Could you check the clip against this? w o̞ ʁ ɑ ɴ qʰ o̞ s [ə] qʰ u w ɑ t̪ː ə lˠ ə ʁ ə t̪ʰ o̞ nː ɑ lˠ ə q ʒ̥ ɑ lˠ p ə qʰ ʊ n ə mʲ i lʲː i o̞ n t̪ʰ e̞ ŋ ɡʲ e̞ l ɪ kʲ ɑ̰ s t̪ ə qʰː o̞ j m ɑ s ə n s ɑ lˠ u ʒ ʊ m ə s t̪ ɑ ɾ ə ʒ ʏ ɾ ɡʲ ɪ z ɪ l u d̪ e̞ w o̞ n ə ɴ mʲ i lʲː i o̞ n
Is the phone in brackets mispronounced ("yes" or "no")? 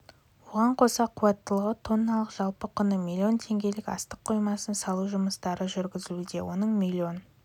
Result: yes